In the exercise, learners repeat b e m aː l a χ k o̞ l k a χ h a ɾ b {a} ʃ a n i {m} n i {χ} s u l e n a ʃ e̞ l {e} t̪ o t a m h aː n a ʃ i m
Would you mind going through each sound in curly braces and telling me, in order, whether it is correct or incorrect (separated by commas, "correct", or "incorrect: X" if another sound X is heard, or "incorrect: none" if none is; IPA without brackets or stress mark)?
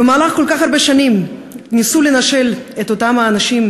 incorrect: e, correct, incorrect: none, correct